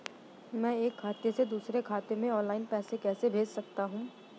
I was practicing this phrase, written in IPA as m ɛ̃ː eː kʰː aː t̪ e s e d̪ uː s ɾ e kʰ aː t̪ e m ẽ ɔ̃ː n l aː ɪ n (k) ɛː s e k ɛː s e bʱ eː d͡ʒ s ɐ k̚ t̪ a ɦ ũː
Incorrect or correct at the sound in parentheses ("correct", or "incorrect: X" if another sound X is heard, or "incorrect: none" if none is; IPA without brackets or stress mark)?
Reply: incorrect: p